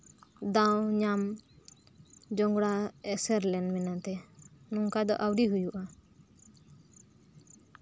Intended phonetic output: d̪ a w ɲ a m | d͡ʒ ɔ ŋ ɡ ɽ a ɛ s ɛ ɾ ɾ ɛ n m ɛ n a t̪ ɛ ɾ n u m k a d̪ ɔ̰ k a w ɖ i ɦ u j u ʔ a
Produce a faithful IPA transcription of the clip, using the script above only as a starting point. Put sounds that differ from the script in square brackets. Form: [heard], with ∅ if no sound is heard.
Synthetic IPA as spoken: d̪ a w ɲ a m | d͡ʒ ɔ ŋ ɡ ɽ a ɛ s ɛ ɾ [l] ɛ n m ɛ n a t̪ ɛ [∅] n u [ŋ] k a d̪ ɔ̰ [ʔ] a w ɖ i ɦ u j u ʔ a